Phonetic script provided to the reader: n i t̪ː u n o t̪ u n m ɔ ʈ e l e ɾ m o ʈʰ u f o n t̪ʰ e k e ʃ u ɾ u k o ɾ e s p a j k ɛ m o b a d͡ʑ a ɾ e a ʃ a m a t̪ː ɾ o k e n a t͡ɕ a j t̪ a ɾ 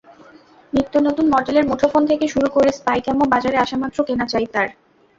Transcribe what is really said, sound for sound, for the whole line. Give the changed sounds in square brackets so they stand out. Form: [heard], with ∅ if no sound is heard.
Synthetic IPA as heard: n i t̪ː [o] n o t̪ u n m ɔ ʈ e l e ɾ m o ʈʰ [o] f o n t̪ʰ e k e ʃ u ɾ u k o ɾ e s p a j k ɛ m o b a d͡ʑ a ɾ e a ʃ a m a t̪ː ɾ o k e n a t͡ɕ a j t̪ a ɾ